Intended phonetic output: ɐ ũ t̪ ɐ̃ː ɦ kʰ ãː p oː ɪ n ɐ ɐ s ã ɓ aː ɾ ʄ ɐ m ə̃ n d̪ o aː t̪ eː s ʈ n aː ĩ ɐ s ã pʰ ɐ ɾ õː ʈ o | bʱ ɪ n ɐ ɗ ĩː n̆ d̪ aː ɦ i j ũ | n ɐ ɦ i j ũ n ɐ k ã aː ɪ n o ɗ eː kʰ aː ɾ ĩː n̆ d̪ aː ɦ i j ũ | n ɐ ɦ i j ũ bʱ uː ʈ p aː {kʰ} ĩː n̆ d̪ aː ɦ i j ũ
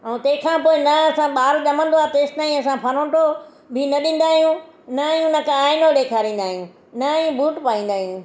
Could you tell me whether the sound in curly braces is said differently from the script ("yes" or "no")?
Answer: yes